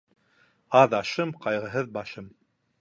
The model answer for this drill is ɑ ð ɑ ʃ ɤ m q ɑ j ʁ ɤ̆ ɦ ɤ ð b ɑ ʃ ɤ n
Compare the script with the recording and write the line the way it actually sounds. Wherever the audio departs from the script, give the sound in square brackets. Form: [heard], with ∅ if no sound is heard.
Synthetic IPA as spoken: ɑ ð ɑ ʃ ɤ m q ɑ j ʁ ɤ̆ ɦ ɤ ð b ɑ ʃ ɤ [m]